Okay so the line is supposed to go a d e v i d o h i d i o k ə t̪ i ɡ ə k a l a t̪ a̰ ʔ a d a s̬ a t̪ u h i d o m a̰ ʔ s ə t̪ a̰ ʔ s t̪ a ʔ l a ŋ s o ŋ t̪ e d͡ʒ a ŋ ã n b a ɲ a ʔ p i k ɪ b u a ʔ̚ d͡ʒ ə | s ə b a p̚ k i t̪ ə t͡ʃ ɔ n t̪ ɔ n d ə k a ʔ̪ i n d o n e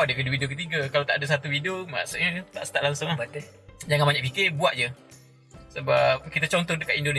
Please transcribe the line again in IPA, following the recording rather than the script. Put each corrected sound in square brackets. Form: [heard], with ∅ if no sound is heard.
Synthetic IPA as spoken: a d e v i d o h i d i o k ə t̪ i ɡ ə k a l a t̪ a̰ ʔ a d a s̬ a t̪ u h i d o m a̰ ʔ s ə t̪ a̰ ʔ s t̪ a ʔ l a ŋ s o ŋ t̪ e d͡ʒ a ŋ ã n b a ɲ a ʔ p i k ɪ b u a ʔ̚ d͡ʒ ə | s ə b a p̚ k i t̪ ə t͡ʃ ɔ n t̪ ɔ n d ə k a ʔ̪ i n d o n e